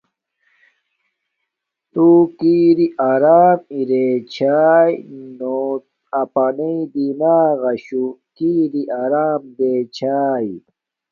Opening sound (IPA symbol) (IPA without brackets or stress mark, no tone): t̪